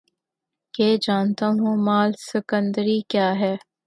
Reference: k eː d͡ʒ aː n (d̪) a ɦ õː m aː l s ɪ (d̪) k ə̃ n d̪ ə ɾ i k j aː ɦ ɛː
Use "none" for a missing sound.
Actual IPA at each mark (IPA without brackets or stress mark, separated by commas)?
t̪, none